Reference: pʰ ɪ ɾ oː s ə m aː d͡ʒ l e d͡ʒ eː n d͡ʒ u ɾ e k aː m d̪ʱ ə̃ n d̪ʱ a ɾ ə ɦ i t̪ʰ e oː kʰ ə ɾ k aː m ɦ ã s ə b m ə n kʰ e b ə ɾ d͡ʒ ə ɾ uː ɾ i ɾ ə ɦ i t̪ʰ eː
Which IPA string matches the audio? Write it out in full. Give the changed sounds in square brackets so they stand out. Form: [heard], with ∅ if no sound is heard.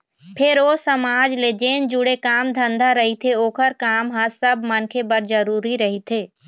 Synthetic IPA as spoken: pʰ ɪ ɾ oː s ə m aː d͡ʒ l e d͡ʒ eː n d͡ʒ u [ɽ] e k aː m d̪ʱ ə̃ n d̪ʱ a ɾ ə ɦ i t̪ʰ e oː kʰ ə ɾ k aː m ɦ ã s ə b m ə n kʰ e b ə ɾ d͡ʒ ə ɾ uː ɾ i ɾ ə ɦ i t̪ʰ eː